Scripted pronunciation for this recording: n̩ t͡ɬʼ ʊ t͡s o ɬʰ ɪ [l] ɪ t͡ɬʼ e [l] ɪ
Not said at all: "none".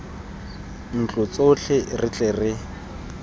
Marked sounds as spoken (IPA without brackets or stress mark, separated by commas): r, r